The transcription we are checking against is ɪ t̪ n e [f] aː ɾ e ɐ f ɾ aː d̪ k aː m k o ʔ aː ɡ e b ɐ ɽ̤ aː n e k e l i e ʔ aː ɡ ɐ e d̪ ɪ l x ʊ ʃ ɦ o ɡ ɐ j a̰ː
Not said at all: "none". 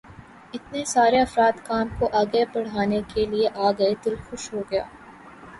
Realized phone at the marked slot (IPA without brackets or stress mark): s